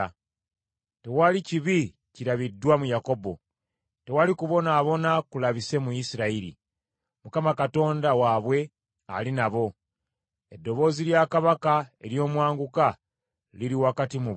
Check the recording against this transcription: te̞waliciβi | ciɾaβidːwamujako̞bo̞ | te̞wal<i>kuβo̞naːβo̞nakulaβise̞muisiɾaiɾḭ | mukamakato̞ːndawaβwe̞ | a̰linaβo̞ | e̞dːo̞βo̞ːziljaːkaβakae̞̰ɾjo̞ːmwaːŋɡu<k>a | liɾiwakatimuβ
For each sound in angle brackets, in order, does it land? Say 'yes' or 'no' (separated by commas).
yes, yes